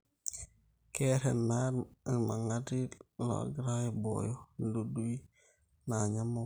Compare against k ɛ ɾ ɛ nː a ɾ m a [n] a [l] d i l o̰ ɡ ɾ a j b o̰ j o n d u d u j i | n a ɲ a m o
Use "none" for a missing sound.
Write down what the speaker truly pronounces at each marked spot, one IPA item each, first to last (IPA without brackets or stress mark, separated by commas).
ŋ, none